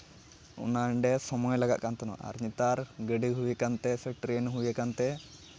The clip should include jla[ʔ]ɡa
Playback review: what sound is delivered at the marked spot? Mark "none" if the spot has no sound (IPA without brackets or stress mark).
none